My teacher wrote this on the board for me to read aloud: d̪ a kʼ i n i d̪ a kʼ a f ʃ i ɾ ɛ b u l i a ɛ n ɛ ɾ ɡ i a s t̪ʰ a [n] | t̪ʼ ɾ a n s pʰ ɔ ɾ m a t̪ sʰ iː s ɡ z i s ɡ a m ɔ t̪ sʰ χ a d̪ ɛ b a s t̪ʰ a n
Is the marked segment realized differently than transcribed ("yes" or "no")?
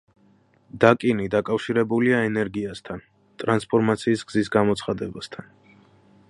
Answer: no